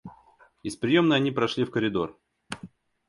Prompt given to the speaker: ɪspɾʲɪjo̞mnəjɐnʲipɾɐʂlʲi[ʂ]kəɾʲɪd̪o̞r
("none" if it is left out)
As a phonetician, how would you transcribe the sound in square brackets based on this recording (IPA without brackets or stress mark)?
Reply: f